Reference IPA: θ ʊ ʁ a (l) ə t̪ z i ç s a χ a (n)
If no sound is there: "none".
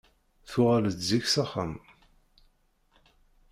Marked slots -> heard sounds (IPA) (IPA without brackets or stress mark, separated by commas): l, m